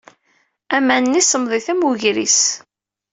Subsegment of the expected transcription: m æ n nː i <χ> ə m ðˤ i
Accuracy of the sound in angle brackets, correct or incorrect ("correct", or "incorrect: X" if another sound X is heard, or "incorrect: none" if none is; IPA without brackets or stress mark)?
incorrect: s